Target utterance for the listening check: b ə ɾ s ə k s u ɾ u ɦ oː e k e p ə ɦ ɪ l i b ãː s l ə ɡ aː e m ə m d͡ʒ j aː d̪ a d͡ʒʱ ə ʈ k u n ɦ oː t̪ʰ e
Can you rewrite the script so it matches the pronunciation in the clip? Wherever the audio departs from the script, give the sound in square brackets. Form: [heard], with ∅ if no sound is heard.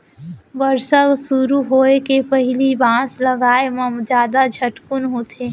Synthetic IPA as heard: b ə ɾ s ə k s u ɾ u ɦ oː e k e p ə ɦ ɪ l i b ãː s l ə ɡ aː e m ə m d͡ʒ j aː d̪ a d͡ʒʱ ə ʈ k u n ɦ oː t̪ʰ e